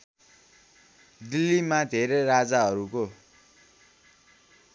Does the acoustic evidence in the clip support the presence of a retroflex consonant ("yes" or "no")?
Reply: no